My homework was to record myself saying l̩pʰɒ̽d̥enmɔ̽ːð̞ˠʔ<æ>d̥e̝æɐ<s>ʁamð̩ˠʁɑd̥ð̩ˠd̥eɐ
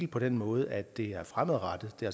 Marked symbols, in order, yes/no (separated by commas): yes, no